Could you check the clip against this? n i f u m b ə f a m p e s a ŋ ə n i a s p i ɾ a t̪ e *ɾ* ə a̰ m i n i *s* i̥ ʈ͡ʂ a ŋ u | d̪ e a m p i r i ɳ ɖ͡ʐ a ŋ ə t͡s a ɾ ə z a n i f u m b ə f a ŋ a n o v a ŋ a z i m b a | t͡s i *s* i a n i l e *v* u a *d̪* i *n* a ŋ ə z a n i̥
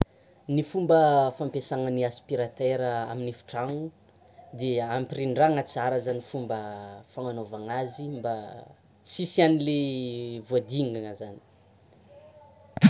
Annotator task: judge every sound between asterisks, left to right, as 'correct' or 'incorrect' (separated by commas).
correct, incorrect, correct, correct, correct, incorrect